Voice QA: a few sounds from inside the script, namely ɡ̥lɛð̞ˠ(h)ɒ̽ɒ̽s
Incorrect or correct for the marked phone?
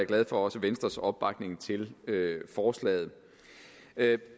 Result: incorrect: f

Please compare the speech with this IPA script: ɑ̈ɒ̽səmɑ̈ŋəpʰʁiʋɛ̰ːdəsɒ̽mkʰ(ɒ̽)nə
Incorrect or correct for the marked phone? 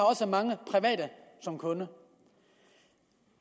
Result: incorrect: ɔ̽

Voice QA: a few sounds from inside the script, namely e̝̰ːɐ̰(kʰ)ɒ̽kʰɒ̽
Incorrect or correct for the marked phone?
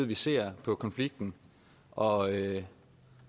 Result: incorrect: pʰ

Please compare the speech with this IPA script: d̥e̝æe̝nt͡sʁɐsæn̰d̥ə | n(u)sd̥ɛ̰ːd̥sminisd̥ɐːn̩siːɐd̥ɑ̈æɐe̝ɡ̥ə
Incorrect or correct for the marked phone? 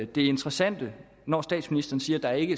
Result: incorrect: ɒ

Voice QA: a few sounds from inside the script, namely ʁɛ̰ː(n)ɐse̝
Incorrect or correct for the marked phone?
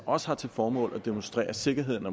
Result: incorrect: none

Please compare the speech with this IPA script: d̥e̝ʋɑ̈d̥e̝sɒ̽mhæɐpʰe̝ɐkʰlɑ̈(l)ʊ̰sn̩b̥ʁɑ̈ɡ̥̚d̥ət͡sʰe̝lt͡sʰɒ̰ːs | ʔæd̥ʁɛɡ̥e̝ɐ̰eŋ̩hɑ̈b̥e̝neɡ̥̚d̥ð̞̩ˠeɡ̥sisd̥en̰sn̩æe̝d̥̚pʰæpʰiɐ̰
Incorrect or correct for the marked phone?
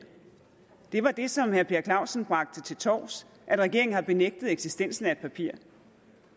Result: incorrect: none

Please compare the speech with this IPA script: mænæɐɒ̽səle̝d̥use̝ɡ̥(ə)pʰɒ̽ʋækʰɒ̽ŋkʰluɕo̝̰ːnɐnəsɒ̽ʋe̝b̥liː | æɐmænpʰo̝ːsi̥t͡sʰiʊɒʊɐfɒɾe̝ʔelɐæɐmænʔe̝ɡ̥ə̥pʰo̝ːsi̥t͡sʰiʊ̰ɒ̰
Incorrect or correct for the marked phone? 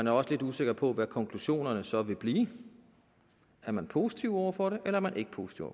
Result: incorrect: ɐ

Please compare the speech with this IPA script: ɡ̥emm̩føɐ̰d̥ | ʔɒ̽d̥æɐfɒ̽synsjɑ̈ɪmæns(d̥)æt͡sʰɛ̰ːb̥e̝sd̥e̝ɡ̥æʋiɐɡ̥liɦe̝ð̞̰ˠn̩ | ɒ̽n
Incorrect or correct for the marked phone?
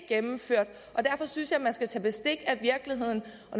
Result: incorrect: ɡ̥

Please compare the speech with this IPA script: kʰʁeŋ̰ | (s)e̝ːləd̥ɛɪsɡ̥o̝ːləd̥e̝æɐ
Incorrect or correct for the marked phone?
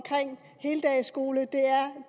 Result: incorrect: h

